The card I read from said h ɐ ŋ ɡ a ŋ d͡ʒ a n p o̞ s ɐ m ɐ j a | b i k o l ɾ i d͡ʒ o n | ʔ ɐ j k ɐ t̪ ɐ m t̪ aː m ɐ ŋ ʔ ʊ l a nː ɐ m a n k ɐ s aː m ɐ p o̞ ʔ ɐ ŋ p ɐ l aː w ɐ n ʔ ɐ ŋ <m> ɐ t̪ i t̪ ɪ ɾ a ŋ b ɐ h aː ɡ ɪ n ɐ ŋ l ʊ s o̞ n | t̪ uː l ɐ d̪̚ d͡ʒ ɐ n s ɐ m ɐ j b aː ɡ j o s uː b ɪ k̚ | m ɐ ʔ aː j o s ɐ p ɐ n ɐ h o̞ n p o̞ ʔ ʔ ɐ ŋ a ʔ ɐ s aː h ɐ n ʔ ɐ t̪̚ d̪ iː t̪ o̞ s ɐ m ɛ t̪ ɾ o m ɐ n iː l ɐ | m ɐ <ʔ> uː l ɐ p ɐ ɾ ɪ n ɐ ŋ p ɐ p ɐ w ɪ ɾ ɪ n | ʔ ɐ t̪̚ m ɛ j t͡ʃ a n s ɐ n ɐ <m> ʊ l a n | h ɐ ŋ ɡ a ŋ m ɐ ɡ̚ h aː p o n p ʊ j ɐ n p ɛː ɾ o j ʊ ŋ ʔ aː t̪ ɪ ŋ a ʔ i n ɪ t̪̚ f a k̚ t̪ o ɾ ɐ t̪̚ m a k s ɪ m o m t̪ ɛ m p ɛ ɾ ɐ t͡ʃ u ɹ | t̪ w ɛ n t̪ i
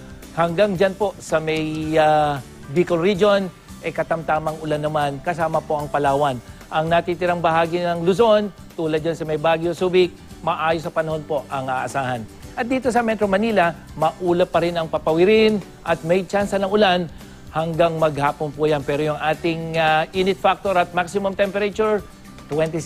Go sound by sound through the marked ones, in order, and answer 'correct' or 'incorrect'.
incorrect, correct, incorrect

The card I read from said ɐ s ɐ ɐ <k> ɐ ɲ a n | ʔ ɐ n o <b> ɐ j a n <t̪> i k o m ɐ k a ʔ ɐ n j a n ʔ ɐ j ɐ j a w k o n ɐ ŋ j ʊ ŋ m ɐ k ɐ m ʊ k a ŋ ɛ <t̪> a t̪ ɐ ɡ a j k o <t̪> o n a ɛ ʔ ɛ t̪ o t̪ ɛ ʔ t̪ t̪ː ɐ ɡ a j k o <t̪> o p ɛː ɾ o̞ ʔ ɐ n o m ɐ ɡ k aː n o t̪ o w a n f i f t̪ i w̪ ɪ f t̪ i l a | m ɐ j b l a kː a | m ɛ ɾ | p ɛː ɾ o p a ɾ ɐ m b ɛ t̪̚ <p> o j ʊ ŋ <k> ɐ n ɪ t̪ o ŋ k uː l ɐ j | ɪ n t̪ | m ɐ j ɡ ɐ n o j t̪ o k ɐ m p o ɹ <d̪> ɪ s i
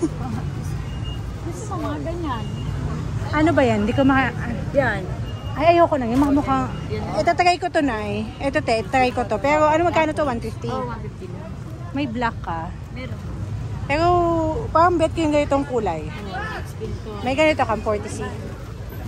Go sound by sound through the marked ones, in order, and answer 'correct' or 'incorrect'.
incorrect, correct, incorrect, correct, correct, correct, incorrect, incorrect, incorrect

